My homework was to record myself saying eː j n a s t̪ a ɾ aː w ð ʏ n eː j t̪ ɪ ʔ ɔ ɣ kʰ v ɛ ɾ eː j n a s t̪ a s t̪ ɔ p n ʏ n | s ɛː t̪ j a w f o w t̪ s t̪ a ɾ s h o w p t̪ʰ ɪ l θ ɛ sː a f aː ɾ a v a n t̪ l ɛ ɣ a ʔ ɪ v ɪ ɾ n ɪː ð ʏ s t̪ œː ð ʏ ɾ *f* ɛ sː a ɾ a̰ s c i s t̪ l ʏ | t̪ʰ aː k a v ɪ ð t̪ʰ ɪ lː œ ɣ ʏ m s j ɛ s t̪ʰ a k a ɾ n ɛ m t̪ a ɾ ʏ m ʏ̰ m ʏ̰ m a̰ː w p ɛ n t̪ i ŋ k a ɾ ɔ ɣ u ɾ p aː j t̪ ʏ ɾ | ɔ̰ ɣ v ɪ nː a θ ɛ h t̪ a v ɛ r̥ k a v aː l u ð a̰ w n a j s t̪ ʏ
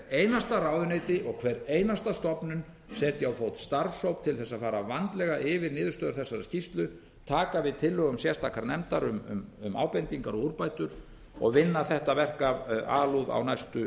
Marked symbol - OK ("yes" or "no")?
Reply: no